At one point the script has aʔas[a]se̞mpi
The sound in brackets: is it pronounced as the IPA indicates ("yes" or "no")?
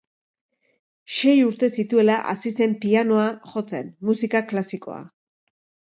no